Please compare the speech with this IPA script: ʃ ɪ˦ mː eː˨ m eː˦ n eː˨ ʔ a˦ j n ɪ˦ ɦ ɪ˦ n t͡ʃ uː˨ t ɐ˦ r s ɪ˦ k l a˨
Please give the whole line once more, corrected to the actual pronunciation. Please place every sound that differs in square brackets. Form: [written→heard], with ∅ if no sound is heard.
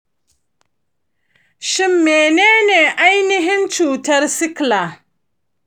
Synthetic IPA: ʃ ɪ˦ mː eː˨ [m→n] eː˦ n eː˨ ʔ a˦ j n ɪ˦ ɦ ɪ˦ n t͡ʃ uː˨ t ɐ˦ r s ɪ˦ k l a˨